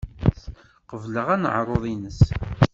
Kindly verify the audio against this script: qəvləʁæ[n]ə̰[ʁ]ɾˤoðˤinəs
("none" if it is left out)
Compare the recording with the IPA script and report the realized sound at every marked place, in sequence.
n, ʕ

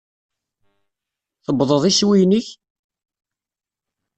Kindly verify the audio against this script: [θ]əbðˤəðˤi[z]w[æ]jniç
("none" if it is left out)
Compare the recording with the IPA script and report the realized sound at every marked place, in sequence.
θ, s, i

